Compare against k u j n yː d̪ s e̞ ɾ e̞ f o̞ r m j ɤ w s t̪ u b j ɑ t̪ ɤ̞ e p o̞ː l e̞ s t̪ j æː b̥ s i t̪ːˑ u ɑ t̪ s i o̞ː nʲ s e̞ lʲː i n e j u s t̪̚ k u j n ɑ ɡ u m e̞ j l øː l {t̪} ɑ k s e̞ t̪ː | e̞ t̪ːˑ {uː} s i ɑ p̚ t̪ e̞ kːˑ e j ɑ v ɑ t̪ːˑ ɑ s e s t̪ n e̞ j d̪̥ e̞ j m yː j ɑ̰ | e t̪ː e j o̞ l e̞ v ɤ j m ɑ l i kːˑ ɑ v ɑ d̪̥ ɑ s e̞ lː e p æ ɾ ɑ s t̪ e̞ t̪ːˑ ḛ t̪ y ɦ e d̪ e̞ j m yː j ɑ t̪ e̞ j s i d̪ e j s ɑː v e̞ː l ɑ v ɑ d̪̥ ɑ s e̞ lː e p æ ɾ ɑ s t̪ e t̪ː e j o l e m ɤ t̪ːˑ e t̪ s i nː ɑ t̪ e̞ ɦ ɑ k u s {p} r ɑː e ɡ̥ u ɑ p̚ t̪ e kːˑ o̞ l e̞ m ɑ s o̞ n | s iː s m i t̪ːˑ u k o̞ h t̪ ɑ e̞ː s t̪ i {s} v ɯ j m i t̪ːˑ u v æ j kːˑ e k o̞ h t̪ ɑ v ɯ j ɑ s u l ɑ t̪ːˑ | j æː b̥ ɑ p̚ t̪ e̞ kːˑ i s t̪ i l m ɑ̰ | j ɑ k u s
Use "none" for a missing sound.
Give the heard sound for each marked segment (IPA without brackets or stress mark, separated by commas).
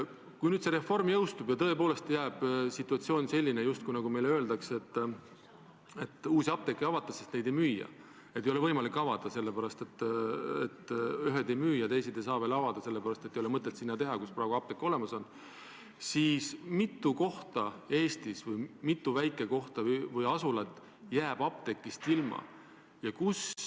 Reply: d̪, uː, p, s